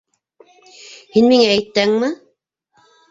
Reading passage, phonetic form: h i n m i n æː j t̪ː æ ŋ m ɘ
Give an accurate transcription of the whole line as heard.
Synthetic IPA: h i n m i ŋ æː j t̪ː æ ŋ m ɘ